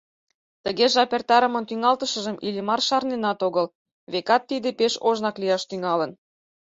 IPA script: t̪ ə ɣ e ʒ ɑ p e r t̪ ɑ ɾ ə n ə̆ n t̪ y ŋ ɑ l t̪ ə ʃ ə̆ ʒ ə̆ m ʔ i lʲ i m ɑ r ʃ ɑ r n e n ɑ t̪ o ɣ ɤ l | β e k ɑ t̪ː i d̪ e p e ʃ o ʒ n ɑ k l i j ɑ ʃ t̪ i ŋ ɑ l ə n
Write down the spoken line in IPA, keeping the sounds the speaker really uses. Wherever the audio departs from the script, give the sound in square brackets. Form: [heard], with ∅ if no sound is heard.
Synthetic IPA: t̪ ə ɣ e ʒ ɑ p e r t̪ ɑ ɾ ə [m] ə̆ n t̪ y ŋ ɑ l t̪ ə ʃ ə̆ ʒ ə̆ m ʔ i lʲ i m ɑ r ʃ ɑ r n e n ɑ t̪ o ɣ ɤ l | β e k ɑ t̪ː i d̪ e p e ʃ o ʒ n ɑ k l i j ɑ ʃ t̪ [y] ŋ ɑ l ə n